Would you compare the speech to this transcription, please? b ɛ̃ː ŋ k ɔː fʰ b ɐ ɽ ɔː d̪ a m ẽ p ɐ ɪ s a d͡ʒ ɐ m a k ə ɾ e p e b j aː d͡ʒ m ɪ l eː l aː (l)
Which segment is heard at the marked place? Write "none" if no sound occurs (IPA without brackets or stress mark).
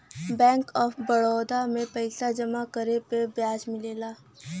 none